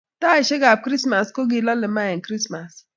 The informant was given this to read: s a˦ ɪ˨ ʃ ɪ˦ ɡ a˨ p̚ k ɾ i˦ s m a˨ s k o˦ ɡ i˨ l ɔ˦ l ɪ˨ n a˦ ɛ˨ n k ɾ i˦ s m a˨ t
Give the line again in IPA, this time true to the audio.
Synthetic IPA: t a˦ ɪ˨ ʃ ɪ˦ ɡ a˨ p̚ k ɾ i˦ s m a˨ s k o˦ ɡ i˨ l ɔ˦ l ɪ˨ m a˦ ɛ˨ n k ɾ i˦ s m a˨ s